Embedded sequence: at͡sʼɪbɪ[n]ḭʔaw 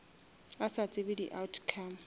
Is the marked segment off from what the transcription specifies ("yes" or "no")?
yes